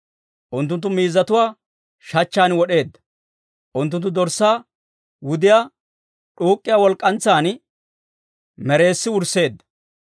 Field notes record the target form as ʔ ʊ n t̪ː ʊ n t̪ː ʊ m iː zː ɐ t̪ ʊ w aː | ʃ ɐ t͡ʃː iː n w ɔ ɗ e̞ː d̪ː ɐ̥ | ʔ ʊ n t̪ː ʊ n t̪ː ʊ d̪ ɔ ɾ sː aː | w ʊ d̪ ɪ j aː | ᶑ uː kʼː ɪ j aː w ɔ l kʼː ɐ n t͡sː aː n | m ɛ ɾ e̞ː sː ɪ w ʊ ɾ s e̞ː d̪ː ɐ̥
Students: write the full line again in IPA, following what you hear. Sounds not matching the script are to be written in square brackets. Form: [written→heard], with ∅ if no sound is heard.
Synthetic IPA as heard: ʔ ʊ n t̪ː ʊ n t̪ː ʊ m iː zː ɐ t̪ ʊ w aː | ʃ ɐ t͡ʃː [iː→aː] n w ɔ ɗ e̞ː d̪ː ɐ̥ | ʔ ʊ n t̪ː ʊ n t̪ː ʊ d̪ ɔ ɾ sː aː | w ʊ d̪ ɪ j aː | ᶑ uː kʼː ɪ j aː w ɔ l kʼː ɐ n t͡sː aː n | m ɛ ɾ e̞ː sː ɪ w ʊ ɾ s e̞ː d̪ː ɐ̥